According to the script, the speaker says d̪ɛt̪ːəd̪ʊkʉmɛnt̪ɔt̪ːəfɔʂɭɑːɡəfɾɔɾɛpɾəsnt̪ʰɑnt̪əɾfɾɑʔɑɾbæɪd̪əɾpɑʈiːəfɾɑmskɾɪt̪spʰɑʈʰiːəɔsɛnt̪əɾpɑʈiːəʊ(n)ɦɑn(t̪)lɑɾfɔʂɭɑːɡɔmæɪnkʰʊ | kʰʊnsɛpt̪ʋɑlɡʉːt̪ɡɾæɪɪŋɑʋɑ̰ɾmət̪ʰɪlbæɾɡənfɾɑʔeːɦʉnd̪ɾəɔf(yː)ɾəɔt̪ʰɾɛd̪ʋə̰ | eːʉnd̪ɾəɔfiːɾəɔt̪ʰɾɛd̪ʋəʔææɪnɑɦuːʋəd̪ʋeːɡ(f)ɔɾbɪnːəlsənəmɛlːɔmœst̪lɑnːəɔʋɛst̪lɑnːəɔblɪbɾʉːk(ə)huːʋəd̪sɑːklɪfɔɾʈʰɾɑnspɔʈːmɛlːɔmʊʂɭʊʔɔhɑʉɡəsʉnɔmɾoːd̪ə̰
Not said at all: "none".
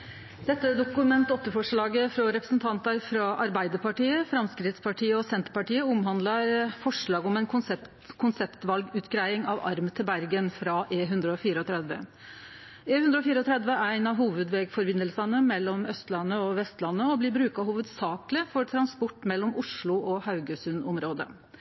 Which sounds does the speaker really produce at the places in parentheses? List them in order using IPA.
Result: m, d̪, iː, f, ɑ

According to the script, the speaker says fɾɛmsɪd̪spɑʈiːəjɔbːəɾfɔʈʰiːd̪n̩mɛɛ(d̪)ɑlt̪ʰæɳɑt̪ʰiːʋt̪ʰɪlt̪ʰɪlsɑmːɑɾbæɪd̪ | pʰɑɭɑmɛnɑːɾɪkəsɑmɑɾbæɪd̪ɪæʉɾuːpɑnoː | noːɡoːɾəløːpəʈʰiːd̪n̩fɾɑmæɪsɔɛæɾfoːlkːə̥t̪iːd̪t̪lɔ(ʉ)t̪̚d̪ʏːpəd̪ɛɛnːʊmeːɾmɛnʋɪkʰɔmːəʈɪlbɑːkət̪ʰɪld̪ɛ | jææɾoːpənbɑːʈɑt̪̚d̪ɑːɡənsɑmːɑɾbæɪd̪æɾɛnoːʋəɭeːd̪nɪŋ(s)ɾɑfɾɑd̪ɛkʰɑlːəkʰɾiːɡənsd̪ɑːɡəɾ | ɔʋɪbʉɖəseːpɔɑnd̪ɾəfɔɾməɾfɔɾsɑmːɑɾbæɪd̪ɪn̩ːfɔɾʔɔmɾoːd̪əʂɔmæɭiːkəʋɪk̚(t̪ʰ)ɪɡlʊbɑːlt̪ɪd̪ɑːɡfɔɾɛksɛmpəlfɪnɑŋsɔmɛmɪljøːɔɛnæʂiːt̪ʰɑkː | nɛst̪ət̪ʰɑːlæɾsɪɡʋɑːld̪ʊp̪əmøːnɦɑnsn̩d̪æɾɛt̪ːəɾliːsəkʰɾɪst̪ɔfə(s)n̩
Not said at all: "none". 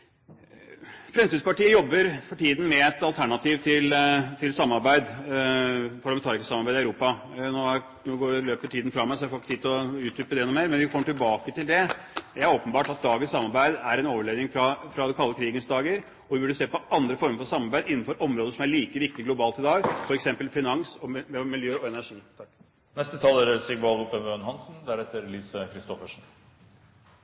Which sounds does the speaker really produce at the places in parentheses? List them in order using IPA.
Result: t̪, ʉː, f, t̪, ʂ

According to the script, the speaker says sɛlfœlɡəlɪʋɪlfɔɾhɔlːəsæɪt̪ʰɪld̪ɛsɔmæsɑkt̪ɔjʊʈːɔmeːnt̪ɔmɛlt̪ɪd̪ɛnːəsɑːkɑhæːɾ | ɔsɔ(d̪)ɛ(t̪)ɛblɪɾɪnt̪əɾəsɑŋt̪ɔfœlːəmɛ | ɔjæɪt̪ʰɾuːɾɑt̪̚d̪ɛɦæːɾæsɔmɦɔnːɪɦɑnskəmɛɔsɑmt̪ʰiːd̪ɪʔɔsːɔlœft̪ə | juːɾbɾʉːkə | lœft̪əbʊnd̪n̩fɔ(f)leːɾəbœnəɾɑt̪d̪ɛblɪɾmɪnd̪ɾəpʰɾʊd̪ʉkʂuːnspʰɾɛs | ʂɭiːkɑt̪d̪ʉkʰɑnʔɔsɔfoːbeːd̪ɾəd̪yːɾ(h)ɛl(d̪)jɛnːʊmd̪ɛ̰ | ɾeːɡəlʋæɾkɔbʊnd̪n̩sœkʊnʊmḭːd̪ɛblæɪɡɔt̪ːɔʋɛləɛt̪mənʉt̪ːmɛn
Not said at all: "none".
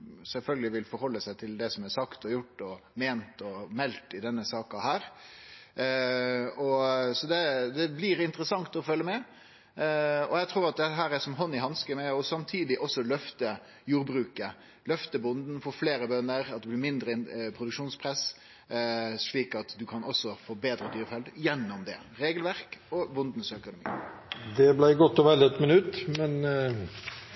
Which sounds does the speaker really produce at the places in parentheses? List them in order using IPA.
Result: d̪, d̪, f, f, d̪

